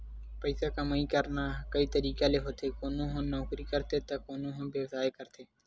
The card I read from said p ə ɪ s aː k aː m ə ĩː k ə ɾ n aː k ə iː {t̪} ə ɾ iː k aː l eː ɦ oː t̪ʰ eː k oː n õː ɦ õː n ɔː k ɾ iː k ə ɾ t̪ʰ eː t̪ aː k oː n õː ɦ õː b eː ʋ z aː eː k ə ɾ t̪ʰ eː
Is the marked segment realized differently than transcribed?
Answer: no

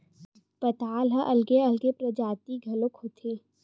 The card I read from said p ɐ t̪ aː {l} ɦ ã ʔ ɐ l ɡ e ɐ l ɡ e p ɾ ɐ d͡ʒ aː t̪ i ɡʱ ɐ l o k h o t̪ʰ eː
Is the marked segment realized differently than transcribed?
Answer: no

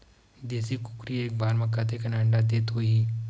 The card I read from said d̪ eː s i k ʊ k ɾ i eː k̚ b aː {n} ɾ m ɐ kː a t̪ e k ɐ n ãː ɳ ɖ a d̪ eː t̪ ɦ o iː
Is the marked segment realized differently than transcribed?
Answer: yes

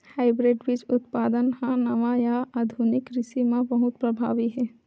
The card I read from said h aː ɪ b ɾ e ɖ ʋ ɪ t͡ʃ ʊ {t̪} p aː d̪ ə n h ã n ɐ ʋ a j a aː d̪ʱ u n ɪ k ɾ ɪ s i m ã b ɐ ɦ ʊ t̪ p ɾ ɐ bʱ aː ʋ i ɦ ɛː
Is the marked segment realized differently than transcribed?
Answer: no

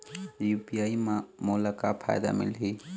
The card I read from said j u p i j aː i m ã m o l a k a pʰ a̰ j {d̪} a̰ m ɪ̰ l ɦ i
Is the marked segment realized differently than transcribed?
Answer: no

